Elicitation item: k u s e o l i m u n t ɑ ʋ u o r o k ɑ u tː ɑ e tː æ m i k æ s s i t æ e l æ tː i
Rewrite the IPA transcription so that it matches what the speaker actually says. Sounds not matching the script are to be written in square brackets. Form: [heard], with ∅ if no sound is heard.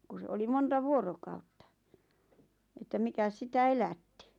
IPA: k u s e o l i m [o] n t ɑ ʋ u o r o k ɑ u tː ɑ e tː æ m i k æ s s i t æ e l æ tː i